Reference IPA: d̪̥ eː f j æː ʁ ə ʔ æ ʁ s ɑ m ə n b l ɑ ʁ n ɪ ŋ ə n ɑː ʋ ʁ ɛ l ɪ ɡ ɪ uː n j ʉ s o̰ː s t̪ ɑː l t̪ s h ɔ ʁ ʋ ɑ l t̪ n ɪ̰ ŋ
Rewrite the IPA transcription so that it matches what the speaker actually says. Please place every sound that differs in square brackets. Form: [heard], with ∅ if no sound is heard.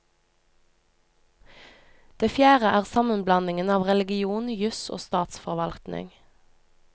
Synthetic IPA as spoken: d̪̥ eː f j æː ʁ ə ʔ [æː] ʁ s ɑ m ə n b l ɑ [∅] n ɪ ŋ ə n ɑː ʋ ʁ ɛ l ɪ ɡ ɪ uː n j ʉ s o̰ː s t̪ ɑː [∅] t̪ s [f] ɔ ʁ ʋ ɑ l t̪ n ɪ̰ ŋ